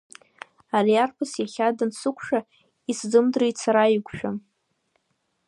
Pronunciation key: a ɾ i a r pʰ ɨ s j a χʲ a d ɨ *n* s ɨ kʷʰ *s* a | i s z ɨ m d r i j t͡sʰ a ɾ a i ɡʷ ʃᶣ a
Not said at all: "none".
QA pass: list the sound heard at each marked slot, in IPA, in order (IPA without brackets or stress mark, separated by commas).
n, ʂ